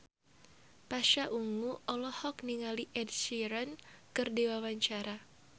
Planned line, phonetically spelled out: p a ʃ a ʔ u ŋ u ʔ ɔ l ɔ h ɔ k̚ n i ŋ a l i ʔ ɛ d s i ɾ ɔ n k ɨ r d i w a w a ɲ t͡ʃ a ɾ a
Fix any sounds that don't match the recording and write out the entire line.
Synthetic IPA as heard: p a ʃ a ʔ u ŋ u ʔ ɔ l ɔ h ɔ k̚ n i ŋ a l i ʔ ɛ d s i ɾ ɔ n k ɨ r d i w a w a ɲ t͡ʃ a ɾ a